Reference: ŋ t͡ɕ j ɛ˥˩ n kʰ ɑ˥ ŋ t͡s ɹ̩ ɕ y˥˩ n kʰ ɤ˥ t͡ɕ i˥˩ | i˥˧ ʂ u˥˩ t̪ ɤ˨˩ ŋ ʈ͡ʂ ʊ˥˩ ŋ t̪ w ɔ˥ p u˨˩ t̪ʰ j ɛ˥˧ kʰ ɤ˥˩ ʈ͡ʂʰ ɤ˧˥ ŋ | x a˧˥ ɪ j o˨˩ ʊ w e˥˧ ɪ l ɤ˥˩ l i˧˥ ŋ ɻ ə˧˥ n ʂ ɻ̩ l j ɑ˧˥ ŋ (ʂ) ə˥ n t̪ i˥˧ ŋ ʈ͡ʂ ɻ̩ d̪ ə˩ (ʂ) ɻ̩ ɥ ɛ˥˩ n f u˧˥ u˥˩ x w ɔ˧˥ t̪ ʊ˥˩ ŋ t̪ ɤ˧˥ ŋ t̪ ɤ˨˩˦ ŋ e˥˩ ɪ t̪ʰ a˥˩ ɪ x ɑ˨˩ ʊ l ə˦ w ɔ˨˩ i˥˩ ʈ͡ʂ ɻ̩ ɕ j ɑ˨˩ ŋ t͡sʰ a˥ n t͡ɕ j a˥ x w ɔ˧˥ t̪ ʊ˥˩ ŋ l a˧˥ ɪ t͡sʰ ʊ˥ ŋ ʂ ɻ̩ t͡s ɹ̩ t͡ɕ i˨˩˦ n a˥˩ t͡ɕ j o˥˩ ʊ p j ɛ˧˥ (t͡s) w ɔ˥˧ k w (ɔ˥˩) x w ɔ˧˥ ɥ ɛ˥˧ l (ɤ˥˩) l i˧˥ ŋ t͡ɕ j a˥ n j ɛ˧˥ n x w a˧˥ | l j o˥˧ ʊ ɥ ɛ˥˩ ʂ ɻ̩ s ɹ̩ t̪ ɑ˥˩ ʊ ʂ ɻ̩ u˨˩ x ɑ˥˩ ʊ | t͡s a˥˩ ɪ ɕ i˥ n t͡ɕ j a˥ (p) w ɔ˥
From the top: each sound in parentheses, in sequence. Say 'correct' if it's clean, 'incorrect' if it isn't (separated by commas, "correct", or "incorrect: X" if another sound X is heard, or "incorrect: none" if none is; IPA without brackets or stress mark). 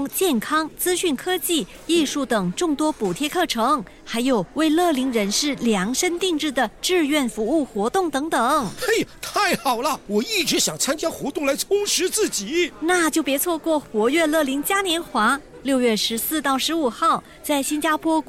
correct, incorrect: ʈ͡ʂ, incorrect: t͡sʰ, correct, correct, incorrect: pʰ